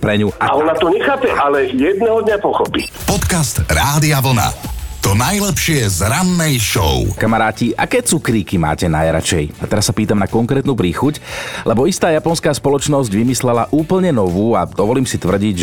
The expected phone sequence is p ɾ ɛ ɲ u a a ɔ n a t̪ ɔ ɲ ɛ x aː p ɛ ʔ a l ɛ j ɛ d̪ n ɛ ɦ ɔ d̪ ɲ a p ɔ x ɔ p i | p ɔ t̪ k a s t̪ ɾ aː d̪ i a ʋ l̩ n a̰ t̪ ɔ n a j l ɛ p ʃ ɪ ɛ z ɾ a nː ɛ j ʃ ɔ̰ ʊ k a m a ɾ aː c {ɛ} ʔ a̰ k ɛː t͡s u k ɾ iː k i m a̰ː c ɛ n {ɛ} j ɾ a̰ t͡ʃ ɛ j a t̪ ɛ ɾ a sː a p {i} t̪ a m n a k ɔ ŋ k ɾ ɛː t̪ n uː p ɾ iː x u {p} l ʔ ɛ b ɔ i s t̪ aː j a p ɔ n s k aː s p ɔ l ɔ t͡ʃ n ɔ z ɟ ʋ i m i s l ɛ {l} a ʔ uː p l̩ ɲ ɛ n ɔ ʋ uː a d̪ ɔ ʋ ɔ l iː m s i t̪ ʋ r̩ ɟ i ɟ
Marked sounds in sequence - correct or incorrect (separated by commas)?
incorrect, incorrect, incorrect, incorrect, correct